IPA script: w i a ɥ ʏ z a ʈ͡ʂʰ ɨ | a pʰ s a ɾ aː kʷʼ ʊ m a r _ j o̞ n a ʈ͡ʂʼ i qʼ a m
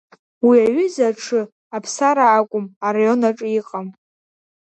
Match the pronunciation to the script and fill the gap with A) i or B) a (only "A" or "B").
B